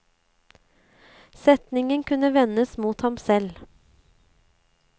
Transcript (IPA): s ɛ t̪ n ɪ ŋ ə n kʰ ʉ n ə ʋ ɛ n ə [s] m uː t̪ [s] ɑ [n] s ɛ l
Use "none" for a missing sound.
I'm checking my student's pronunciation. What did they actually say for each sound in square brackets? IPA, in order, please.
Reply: s, h, m

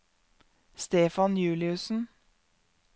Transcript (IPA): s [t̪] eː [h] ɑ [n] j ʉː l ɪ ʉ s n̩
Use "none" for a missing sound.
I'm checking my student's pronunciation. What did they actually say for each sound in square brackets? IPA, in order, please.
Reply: t̪, f, n

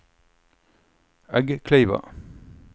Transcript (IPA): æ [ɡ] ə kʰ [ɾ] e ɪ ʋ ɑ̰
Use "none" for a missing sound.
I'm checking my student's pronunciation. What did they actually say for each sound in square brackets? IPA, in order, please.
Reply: ɡ, l

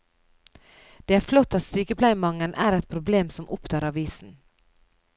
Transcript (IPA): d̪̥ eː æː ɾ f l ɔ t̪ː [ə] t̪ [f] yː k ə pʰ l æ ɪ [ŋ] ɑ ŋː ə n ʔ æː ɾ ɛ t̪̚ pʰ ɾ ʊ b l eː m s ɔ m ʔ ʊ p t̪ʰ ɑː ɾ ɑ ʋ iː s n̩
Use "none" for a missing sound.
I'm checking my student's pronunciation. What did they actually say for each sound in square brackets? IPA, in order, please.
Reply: ɑ, s, m

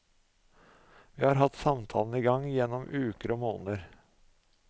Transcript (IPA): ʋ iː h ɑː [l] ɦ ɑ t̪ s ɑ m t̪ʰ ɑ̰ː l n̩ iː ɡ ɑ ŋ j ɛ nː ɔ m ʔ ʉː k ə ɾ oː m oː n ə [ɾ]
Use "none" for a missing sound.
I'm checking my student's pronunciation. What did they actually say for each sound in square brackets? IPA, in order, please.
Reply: ɾ, ɾ

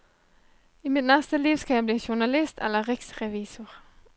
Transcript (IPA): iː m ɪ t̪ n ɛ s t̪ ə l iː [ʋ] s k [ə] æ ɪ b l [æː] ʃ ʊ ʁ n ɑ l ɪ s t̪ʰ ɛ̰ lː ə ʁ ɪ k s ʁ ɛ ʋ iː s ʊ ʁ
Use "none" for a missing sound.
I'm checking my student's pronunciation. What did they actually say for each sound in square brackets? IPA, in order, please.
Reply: ʋ, ɑ, iː

